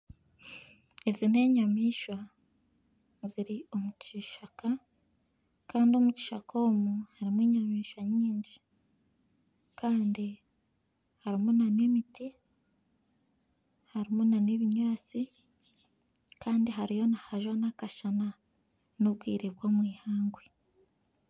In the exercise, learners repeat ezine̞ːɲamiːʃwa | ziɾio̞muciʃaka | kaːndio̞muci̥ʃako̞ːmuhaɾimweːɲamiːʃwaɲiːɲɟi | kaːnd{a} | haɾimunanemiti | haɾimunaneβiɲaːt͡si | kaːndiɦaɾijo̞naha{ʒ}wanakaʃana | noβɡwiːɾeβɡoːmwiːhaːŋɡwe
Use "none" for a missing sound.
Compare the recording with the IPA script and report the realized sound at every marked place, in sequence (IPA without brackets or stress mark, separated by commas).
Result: i, ʒ